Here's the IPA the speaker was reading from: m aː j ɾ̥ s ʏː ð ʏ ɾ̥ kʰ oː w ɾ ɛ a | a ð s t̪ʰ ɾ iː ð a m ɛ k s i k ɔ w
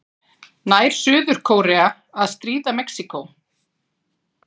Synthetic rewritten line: n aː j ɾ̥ s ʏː ð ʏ ɾ̥ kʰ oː w ɾ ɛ a | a ð s t̪ ɾ iː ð a m ɛ k s i k o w